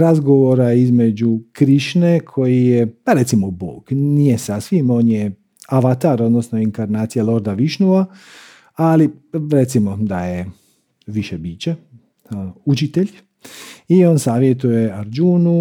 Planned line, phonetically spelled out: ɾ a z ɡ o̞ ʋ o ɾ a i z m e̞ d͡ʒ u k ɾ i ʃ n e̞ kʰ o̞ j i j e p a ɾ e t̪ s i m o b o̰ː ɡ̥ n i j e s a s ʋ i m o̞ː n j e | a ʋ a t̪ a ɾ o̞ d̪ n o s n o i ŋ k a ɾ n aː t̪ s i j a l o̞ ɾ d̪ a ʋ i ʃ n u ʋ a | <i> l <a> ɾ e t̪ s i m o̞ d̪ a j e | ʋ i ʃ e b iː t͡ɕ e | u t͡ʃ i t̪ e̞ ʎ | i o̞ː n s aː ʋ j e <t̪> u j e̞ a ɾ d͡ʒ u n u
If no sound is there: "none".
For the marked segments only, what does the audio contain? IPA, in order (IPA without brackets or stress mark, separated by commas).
a, i, t̪